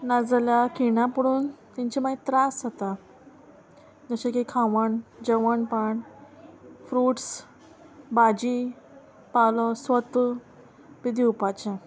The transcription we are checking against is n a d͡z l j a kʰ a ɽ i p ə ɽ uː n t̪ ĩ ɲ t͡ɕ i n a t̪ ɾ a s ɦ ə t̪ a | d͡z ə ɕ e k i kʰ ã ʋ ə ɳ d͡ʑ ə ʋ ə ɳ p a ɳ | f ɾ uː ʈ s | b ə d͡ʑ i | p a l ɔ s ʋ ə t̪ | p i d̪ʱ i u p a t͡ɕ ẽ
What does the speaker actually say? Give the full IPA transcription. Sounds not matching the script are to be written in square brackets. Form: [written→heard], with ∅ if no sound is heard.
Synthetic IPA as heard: n a d͡z l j a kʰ [a→i] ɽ [i→a] p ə ɽ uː n t̪ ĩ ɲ t͡ɕ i [n→m] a t̪ ɾ a s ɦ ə t̪ a | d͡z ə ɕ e k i kʰ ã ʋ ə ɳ d͡ʑ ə ʋ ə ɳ p a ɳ | f ɾ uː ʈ s | b [ə→a] d͡ʑ i | p a l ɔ s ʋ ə t̪ | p i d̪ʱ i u p a t͡ɕ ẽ